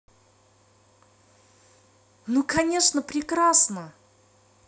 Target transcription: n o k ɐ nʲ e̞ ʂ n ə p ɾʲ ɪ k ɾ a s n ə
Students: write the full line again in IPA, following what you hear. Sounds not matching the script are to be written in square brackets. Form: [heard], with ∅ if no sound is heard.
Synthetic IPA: n [u] k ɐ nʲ e̞ ʂ n ə p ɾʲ ɪ k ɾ a s n ə

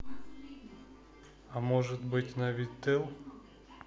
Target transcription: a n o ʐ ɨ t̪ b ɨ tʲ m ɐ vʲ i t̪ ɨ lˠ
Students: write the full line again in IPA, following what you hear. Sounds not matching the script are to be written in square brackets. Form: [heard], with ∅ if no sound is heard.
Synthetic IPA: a [m] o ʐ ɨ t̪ b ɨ tʲ [n] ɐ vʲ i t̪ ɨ lˠ

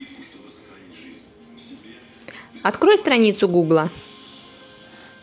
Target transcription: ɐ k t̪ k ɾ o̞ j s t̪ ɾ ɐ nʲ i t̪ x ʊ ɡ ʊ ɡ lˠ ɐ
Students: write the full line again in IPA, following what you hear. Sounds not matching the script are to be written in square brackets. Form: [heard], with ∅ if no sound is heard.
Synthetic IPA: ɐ [∅] t̪ k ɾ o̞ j s t̪ ɾ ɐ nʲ i t̪ [s] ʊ ɡ [u] ɡ lˠ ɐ

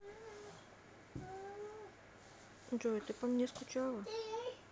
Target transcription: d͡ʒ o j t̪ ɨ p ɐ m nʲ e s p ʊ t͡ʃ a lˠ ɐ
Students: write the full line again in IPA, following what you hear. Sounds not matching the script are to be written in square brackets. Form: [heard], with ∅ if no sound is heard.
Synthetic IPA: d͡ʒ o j t̪ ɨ p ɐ m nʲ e s [k] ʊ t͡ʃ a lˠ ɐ

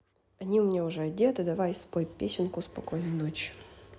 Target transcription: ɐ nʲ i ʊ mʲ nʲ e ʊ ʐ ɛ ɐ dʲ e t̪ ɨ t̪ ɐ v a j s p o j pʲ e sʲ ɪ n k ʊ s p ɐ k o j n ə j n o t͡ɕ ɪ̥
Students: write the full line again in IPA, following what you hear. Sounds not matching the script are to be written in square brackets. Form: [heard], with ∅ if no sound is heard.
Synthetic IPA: ɐ nʲ i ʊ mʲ nʲ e ʊ ʐ ɛ ɐ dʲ e t̪ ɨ [d̪] ɐ v a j s p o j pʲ e sʲ ɪ n k ʊ s p ɐ k o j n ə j n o t͡ɕ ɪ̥

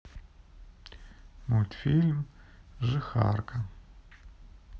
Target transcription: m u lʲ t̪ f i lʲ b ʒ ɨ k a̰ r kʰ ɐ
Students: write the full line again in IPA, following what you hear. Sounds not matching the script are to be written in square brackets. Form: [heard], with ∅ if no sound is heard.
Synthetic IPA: m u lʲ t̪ f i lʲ [m] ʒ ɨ [x] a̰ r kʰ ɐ

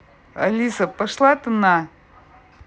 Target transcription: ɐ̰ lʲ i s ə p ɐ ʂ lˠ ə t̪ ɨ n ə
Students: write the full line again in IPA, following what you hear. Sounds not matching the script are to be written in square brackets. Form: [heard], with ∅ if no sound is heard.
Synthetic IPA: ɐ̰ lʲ i s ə p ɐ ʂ lˠ [a] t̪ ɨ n [a]

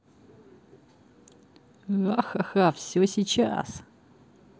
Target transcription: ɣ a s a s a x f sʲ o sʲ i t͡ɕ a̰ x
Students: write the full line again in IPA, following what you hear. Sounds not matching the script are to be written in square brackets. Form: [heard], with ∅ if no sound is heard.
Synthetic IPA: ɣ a [x] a [x] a [∅] f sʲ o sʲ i t͡ɕ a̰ [s]

